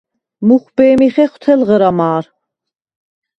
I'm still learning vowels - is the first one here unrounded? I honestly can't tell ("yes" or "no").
no